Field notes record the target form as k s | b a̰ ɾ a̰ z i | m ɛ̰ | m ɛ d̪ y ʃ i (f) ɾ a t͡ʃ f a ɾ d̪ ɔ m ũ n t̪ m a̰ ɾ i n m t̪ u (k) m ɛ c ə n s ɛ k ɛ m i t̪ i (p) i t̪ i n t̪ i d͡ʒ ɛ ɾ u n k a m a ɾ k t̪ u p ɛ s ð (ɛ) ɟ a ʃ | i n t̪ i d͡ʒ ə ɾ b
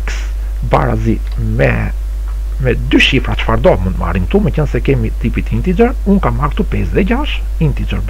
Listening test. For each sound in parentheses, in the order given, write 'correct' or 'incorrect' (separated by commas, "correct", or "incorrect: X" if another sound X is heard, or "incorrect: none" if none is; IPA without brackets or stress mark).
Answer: correct, incorrect: none, correct, correct